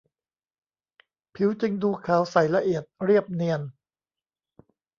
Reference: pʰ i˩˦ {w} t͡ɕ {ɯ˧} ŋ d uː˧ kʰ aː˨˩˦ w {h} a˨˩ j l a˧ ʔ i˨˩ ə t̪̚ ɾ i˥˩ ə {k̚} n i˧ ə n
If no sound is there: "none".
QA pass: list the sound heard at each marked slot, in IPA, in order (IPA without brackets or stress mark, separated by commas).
w, ɯ˧, s, p̚